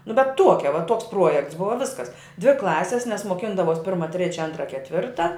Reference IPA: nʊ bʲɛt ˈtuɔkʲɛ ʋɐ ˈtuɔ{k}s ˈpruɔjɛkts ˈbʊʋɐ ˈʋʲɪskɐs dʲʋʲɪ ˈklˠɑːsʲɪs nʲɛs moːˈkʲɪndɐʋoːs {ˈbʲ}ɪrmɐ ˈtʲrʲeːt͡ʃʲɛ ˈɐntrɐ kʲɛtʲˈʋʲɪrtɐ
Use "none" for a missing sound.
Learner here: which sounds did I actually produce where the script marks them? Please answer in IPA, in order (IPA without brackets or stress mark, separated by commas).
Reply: k, pʲ